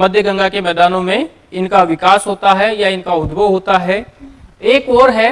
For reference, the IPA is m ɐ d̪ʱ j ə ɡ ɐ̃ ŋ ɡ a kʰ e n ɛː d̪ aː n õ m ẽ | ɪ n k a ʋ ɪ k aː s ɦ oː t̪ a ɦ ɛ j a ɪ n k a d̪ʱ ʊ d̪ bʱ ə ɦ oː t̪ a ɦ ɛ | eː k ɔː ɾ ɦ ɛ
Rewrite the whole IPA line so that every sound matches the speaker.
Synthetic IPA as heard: m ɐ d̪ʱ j ə ɡ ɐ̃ ŋ ɡ a k e m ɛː d̪ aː n õ m ẽ | ɪ n k a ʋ ɪ k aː s ɦ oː t̪ a ɦ ɛ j a ɪ n k a ʊ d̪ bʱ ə ɦ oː t̪ a ɦ ɛ | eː k ɔː ɾ ɦ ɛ